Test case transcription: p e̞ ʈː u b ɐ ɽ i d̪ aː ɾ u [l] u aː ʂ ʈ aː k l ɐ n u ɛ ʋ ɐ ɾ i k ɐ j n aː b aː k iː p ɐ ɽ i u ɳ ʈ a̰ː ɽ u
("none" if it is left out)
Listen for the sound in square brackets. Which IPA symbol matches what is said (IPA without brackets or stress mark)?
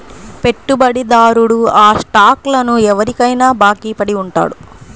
ɽ